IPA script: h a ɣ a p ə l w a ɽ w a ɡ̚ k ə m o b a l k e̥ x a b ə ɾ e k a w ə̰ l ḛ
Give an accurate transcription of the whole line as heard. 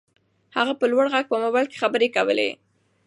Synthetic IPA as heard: h a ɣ a p ə l w a ɽ ɣ a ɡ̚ p ə m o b a l k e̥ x a b ə ɾ e k a w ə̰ l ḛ